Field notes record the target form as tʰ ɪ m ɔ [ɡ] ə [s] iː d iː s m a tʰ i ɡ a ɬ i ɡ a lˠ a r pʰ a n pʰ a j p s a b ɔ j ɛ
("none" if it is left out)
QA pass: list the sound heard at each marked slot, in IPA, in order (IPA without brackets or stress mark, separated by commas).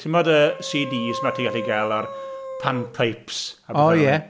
d, s